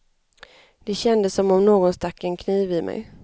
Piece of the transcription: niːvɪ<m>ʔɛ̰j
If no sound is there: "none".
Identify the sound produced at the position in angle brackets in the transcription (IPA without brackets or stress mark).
m